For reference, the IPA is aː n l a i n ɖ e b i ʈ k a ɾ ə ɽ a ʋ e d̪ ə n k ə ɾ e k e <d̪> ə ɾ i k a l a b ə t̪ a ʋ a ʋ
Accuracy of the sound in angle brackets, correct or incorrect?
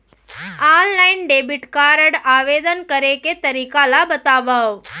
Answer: incorrect